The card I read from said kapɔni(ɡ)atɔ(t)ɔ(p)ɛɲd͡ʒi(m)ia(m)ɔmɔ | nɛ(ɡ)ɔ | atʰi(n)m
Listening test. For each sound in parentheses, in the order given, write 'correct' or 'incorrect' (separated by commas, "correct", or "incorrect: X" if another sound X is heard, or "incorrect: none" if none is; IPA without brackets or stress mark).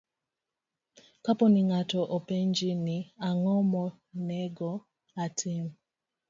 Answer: incorrect: ŋ, incorrect: ʔ, correct, incorrect: n, incorrect: ŋ, correct, incorrect: none